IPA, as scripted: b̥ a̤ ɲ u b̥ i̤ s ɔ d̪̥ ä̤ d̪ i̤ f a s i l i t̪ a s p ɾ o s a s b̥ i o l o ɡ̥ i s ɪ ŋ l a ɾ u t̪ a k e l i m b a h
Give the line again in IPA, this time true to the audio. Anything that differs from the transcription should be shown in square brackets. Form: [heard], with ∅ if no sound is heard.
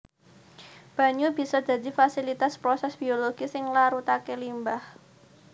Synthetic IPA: b̥ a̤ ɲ u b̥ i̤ s ɔ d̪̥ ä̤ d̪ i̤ f a s i l i t̪ a s p ɾ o s [ɛ] s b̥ i o l o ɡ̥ i s ɪ ŋ l a ɾ u t̪ a k e l i m b a h